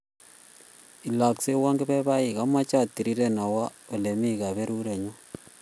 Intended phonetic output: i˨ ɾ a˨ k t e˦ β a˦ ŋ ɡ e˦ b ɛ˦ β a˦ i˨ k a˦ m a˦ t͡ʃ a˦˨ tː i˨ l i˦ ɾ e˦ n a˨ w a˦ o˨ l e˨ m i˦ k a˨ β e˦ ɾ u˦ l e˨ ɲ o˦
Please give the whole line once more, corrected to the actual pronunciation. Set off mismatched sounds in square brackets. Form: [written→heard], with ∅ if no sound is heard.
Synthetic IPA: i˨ [ɾ→l] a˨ k [t→s] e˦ [β→w] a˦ ŋ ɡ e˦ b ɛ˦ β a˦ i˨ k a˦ m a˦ t͡ʃ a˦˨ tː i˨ [l→ɾ] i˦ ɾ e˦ n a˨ w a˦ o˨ l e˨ m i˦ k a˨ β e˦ ɾ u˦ [l→ɾ] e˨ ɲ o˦